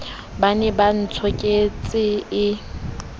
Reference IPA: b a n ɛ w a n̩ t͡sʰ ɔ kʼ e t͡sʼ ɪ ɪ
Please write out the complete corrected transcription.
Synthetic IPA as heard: b a n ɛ b a n̩ t͡sʰ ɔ kʼ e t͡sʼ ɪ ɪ